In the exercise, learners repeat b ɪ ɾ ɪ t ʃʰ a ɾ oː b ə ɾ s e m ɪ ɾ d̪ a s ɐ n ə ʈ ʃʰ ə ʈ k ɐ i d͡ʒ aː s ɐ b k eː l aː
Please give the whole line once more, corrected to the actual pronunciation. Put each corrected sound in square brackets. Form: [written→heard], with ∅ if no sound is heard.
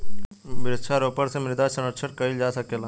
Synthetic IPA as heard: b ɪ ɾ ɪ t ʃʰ a ɾ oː [b→p] ə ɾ s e m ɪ ɾ d̪ a s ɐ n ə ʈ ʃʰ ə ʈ k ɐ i d͡ʒ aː s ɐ [b→∅] k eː l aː

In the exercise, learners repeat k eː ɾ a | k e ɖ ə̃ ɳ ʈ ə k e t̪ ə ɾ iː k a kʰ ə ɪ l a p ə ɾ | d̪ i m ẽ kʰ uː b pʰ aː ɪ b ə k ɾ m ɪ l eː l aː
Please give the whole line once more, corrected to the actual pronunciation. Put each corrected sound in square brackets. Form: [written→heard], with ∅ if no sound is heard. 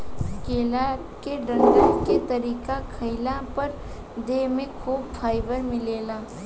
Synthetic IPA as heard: k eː [ɾ→l] a | k e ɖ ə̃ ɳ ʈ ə k e t̪ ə ɾ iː k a kʰ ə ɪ l a p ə ɾ | d̪ [i→e] m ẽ kʰ uː b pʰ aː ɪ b ə [k→∅] ɾ m ɪ l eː l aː

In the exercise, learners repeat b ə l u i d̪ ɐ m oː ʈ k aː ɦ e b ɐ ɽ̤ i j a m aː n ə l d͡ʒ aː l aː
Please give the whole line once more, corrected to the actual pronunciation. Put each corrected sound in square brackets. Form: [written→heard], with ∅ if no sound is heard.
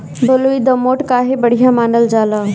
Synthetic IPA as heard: b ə l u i d̪ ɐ m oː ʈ k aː ɦ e b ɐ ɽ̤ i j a m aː n ə l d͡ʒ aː l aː

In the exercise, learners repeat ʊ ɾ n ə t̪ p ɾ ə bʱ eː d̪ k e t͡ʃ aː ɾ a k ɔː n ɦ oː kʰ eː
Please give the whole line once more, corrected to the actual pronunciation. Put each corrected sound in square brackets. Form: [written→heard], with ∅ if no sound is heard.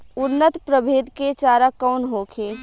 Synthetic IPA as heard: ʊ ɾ n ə t̪ p ɾ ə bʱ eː d̪ k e t͡ʃ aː ɾ a k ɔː n ɦ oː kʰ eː

